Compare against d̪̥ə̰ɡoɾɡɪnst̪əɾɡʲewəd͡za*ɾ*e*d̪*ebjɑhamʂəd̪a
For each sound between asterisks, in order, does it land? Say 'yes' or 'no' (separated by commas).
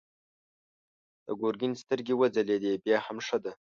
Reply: no, yes